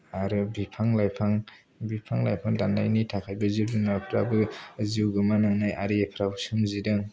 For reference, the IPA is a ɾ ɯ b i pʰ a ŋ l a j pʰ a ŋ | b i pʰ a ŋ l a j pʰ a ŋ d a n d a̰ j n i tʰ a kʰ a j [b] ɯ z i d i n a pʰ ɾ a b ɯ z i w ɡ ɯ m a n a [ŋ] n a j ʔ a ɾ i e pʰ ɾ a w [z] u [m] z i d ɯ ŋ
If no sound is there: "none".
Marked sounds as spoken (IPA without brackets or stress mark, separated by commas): b, ŋ, s, m